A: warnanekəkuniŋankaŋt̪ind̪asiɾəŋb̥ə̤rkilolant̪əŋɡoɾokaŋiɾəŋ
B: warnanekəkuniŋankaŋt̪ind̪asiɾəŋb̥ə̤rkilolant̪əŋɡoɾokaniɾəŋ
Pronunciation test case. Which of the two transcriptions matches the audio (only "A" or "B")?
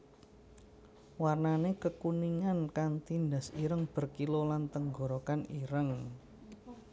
B